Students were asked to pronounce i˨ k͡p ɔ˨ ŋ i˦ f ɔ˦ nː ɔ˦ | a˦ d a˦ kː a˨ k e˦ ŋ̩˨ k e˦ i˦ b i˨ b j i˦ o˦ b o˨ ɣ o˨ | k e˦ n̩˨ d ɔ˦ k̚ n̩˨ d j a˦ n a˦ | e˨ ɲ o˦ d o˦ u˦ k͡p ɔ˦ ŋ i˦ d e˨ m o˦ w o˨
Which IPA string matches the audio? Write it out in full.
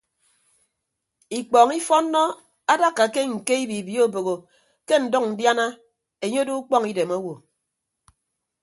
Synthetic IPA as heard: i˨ k͡p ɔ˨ ŋ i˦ f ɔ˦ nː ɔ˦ | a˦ d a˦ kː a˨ k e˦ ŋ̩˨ k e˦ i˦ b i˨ b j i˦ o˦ b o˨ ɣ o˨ | k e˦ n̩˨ d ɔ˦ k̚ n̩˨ d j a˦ n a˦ | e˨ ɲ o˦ d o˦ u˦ k͡p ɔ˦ ŋ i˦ d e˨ m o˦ w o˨